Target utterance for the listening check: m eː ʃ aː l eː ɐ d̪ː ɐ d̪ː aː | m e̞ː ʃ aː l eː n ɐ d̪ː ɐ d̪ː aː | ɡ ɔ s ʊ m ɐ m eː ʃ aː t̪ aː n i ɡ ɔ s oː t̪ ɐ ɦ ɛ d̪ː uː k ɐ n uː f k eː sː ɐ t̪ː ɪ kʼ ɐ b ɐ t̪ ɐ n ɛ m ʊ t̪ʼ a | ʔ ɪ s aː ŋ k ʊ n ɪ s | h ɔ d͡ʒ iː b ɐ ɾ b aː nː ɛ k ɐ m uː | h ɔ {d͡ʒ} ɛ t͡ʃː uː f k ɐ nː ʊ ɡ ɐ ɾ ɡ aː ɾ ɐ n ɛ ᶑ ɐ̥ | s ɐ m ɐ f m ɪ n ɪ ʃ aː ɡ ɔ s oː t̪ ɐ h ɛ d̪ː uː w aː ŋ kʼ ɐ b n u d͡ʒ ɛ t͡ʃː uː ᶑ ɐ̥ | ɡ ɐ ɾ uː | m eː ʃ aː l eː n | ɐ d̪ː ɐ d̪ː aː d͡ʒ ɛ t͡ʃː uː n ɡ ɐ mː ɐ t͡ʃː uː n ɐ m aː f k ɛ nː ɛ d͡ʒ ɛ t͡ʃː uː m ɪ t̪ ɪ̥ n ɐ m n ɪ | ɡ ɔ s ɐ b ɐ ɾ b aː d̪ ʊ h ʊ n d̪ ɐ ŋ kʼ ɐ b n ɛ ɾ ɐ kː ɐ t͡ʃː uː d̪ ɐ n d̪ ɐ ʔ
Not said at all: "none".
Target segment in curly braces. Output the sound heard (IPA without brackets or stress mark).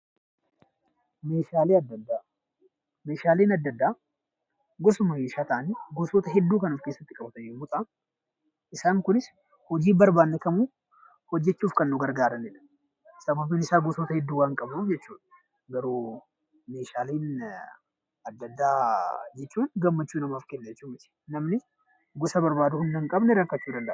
d͡ʒː